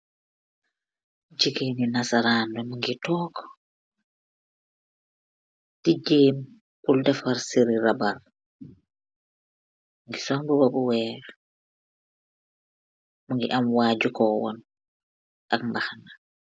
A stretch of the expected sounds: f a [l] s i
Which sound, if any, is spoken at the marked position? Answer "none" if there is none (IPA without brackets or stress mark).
ɾ